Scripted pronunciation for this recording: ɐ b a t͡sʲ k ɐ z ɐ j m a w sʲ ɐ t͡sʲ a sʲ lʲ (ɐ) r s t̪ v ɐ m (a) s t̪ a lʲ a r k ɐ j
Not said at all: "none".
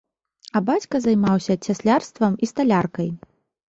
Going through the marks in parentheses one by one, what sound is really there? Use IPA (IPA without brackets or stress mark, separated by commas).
a, i